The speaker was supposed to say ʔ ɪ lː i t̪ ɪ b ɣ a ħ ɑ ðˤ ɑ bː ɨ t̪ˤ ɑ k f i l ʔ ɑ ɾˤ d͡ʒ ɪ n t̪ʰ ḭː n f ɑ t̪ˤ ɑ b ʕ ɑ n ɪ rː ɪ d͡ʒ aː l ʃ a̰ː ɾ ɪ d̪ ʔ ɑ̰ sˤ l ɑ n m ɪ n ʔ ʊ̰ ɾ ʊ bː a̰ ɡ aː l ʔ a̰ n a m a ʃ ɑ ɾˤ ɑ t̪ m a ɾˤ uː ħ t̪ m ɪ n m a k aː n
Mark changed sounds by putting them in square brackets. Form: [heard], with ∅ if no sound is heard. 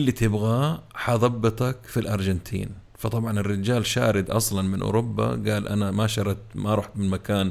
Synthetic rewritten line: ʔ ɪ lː i t̪ ɪ b ɣ a ħ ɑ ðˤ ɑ bː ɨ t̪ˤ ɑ k f i l ʔ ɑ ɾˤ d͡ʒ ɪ n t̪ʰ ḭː n f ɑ t̪ˤ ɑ b ʕ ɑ n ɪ rː ɪ d͡ʒ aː l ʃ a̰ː ɾ ɪ d̪ ʔ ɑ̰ sˤ l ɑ n m ɪ n ʔ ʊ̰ ɾ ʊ bː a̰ ɡ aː l ʔ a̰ n a m a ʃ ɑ ɾˤ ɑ t̪ m a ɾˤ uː ħ t̪ m ɪ n m a k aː n